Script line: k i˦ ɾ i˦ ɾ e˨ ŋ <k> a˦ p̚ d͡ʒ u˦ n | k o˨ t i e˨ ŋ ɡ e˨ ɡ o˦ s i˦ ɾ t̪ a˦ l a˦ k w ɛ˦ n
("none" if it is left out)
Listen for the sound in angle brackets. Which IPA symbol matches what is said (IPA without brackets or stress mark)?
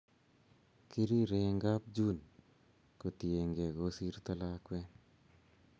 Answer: ɡ